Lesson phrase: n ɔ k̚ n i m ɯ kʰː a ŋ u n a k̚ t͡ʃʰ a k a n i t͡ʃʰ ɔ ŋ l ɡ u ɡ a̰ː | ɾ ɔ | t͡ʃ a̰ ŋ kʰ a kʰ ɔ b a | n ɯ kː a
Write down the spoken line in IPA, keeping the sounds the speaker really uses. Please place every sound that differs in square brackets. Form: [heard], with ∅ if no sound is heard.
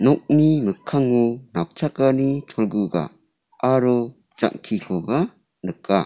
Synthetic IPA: n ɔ k̚ n i m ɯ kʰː a ŋ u n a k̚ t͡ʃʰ a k a n i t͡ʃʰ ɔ [∅] l ɡ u ɡ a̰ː | ɾ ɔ | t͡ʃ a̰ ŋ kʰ [i] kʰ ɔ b a | n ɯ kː a